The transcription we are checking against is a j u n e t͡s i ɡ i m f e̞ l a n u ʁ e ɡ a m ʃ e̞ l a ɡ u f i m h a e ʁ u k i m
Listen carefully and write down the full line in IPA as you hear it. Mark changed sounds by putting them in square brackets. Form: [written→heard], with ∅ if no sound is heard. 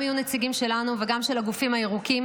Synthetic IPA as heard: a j u n e t͡s i ɡ i m [f→ʃ] e̞ l a n u [ʁ→v] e ɡ a m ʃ e̞ l a ɡ u f i m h a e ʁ u k i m